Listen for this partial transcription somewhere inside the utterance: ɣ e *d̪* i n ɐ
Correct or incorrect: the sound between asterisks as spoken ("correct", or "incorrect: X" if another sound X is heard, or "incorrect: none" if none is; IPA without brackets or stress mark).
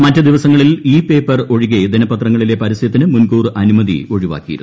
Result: correct